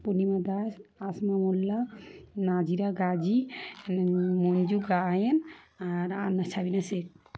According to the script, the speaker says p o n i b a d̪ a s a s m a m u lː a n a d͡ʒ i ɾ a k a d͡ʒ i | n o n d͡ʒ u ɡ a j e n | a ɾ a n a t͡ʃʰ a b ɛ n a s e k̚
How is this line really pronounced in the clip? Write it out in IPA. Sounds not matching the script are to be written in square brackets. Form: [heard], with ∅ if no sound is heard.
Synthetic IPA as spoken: p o n i [m] a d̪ a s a s m a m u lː a n a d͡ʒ i ɾ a [ɡ] a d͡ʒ i | [m] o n d͡ʒ u ɡ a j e n | a ɾ a n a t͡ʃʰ a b [i] n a s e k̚